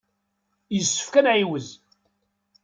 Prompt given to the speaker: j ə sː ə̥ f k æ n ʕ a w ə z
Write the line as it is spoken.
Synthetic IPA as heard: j ə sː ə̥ f k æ n ʕ i w ə z